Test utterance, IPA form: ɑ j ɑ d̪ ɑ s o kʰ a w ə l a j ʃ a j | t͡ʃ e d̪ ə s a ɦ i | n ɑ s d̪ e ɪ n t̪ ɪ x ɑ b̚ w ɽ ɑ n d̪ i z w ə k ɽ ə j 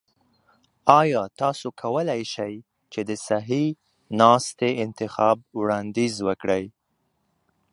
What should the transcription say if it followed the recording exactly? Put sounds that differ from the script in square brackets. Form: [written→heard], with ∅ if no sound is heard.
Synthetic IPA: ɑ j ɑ [d̪→t̪] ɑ s o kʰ a w ə l a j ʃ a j | t͡ʃ e d̪ ə s a ɦ i | n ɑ s [d̪→t̪] e ɪ n t̪ ɪ x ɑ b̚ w ɽ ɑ n d̪ i z w ə k ɽ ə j

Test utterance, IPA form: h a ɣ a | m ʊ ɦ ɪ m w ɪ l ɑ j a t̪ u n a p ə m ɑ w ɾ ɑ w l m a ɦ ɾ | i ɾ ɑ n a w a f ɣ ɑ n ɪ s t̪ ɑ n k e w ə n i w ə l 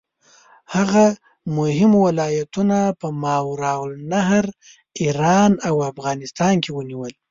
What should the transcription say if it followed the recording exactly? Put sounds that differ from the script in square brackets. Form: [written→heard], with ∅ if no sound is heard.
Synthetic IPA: h a ɣ a | m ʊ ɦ ɪ m w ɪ l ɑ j a t̪ u n a p ə m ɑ w ɾ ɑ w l [m→n] a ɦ ɾ | i ɾ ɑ n a w a f ɣ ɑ n ɪ s t̪ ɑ n k e w ə n i w ə l

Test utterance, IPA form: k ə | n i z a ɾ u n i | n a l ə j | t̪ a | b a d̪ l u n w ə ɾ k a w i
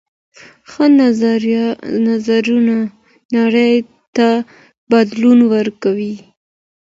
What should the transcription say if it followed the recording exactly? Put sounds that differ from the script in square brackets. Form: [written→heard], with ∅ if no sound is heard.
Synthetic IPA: [k→x] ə | n [i→a] z a ɾ u n [i→a] | n a [l→ɽ] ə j | t̪ a | b a d̪ l u n w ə ɾ k a w i

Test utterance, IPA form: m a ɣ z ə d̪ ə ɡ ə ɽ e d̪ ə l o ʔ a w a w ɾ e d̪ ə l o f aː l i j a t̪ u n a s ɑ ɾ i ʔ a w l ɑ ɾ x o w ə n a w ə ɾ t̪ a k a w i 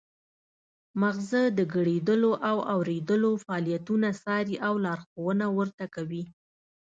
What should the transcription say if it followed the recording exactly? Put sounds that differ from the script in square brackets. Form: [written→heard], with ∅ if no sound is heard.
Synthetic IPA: m a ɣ z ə d̪ ə ɡ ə ɽ e d̪ ə l o ʔ a w a w ɾ e d̪ ə l o f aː l i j a t̪ u n a s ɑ ɾ i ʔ a w l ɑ ɾ x o w ə n a w ə ɾ t̪ a k a w i

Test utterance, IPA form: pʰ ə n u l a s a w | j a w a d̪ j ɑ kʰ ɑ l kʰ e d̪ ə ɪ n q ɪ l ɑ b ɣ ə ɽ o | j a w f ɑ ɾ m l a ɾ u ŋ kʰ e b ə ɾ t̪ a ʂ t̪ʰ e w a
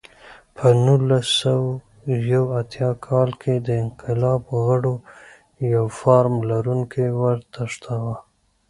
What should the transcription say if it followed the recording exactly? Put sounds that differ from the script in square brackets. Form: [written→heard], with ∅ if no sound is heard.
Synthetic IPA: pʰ ə n u l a s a w | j a w a [d̪→t̪] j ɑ kʰ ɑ l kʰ e d̪ ə ɪ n q ɪ l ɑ b ɣ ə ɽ o | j a w f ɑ ɾ m l a ɾ u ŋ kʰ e [b→w] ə ɾ t̪ a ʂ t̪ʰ [e→a] w a

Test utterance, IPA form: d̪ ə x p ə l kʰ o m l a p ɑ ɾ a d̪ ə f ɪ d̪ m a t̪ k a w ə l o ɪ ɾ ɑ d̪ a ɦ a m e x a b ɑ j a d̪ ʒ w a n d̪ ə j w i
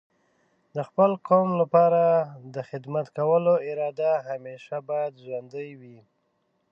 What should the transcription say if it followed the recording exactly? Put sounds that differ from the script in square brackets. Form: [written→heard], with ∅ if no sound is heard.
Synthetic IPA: d̪ ə x p ə l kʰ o m l a p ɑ ɾ a d̪ ə [f→x] ɪ d̪ m a t̪ k a w ə l o ɪ ɾ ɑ d̪ a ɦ a m e [x→ʃ] a b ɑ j a d̪ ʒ w a n d̪ ə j w i

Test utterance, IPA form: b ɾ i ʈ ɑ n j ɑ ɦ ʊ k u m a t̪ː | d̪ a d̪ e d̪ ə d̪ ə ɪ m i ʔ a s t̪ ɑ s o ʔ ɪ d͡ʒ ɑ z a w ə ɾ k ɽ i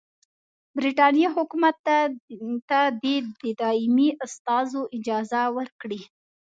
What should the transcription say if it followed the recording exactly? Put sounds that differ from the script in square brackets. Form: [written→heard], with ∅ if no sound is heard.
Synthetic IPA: b ɾ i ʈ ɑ n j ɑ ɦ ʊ k u m a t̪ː | [d̪→t̪] a d̪ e d̪ ə d̪ [ə→ɑ] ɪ m i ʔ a s t̪ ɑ [s→z] o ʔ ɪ d͡ʒ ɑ z a w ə ɾ k ɽ i

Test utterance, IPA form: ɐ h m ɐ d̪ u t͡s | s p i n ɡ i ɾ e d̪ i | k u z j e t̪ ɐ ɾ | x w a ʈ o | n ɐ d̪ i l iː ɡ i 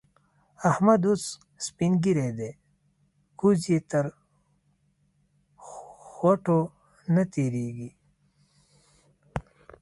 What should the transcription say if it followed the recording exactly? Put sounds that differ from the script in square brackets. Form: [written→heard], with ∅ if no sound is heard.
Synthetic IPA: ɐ h m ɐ d̪ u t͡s | s p i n ɡ i ɾ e d̪ [i→e] | k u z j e t̪ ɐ ɾ | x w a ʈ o | n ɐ [d̪→t̪] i [l→ɾ] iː ɡ i

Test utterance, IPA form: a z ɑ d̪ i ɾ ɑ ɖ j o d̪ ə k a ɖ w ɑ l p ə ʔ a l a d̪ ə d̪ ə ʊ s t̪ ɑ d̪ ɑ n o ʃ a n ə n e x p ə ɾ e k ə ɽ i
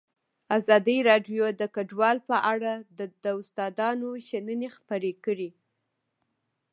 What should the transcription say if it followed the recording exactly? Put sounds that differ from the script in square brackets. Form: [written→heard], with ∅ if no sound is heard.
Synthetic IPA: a z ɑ d̪ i ɾ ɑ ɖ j o d̪ ə k a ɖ w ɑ l p ə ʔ a [l→ɽ] a d̪ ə d̪ ə ʊ s t̪ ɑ d̪ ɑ n o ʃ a n ə n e x p ə ɾ e k ə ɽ i

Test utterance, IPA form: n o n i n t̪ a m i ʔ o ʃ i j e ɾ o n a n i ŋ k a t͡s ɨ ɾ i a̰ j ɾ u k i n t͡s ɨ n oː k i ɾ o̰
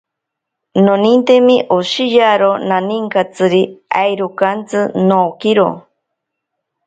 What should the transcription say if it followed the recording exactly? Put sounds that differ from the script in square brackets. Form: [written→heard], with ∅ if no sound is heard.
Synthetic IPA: n o n i n t̪ [a→e] m i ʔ o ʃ i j [e→a] ɾ o n a n i ŋ k a t͡s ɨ ɾ i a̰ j ɾ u k [i→a] n t͡s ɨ n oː k i ɾ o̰

